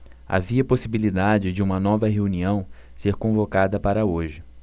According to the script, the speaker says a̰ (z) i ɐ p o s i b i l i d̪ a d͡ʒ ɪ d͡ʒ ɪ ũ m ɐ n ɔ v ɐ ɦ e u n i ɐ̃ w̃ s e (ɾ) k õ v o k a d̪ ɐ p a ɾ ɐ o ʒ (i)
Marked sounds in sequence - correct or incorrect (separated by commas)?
incorrect, correct, incorrect